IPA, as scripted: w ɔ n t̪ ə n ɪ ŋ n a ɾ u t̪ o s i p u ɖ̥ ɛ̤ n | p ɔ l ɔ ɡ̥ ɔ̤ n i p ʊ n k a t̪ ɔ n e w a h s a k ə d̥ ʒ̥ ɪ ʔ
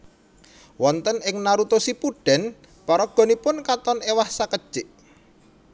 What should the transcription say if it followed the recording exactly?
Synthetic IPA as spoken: w ɔ n t̪ ə n ɪ ŋ n a ɾ u t̪ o s i p u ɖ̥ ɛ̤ n | p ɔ ɾ ɔ ɡ̥ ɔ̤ n i p ʊ n k a t̪ ɔ n e w a h s a k ə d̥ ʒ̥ ɪ ʔ